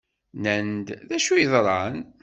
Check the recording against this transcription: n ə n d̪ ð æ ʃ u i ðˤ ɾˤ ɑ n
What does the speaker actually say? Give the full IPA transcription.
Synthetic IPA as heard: n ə n d̪ ð æ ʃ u j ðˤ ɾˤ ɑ n